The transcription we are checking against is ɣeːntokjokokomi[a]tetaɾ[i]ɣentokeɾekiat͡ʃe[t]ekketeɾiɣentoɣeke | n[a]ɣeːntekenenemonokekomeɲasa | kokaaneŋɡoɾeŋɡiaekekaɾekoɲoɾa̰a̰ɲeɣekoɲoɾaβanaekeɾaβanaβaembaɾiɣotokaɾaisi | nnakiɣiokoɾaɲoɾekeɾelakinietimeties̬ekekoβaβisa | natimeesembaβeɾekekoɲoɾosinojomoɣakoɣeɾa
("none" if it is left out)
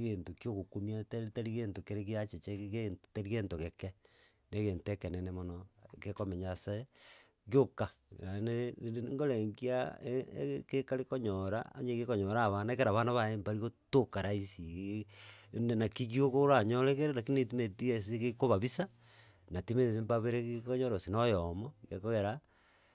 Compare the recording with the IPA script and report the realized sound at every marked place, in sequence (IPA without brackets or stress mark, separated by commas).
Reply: a, i, t͡ʃ, e